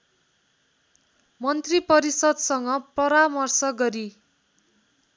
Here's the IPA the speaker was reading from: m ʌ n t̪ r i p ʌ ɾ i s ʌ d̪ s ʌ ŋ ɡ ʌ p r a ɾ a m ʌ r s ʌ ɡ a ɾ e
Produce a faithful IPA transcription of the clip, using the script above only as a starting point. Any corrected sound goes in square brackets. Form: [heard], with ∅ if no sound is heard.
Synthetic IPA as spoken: m ʌ n t̪ r i p ʌ ɾ i s ʌ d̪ s ʌ ŋ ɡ ʌ p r [ʌ] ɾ a m ʌ r s ʌ ɡ [ʌ] ɾ [i]